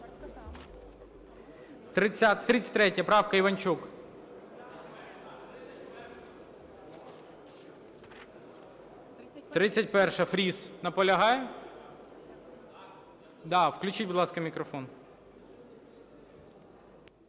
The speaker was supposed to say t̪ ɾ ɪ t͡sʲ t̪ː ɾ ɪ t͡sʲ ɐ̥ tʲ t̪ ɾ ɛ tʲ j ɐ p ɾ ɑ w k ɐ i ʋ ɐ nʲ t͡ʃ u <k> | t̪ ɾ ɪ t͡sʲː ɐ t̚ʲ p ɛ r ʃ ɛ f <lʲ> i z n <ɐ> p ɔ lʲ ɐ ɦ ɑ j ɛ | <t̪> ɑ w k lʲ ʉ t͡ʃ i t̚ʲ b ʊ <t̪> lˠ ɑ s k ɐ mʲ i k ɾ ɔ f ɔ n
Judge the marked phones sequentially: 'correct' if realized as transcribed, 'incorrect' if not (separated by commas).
correct, incorrect, correct, incorrect, incorrect